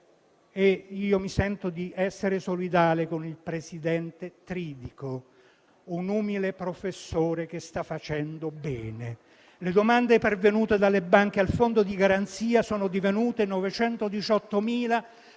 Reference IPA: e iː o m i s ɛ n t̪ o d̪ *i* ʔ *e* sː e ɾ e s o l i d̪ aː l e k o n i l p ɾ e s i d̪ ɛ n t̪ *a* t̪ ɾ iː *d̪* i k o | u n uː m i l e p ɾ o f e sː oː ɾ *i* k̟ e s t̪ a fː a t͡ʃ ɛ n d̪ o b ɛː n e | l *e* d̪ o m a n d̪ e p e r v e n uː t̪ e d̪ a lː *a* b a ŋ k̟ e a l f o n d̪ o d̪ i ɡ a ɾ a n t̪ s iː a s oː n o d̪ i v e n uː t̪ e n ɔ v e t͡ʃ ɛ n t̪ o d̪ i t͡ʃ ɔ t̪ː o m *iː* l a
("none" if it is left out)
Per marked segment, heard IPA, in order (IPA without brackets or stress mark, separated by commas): i, ɛ, e, d̪, e, e, e, iː